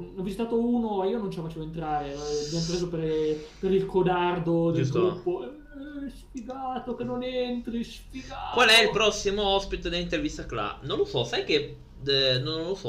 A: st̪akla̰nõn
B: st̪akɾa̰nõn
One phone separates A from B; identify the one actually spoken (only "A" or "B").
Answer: A